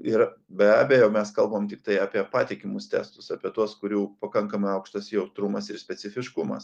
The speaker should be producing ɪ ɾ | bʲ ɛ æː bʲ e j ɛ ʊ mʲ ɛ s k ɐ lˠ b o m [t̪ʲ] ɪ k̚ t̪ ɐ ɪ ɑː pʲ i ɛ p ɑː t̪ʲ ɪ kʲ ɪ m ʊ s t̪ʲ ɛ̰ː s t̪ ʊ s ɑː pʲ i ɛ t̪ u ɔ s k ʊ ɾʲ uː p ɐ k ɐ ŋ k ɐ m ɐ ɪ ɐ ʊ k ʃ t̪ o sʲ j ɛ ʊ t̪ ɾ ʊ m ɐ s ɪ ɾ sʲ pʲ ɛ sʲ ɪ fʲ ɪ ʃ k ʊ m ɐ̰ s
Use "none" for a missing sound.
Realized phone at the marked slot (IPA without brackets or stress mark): t̪ʲ